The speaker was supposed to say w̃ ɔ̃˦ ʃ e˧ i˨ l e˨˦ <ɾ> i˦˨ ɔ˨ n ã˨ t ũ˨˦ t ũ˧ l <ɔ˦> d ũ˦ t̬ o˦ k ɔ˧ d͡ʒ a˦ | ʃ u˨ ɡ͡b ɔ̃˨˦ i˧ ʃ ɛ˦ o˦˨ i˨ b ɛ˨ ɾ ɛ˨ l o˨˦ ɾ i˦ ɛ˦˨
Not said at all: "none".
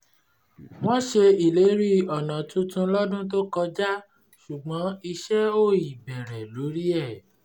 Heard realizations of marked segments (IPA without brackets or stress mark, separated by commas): ɾ, ɔ˦